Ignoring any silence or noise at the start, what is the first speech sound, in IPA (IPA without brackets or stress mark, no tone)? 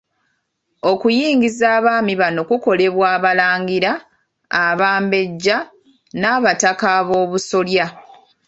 o̞